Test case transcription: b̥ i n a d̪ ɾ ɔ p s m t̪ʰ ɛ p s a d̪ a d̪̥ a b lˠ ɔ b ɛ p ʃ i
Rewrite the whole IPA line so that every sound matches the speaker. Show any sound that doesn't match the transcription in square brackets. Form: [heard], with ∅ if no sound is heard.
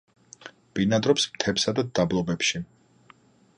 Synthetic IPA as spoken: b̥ i n a d̪ ɾ ɔ p s m t̪ʰ ɛ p s a d̪ a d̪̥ a b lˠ ɔ b ɛ p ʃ i